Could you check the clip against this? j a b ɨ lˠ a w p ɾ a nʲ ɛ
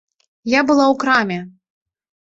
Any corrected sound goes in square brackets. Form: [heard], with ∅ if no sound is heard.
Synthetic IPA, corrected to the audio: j a b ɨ lˠ a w [k] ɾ a [mʲ] ɛ